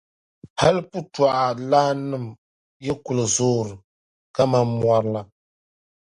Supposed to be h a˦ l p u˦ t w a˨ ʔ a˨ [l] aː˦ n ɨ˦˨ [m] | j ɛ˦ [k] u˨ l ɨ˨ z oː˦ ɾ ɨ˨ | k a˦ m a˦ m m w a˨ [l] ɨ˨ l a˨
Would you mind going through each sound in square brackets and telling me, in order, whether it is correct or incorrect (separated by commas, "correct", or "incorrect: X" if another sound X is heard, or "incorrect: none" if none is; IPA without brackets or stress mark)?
correct, correct, correct, incorrect: ɾ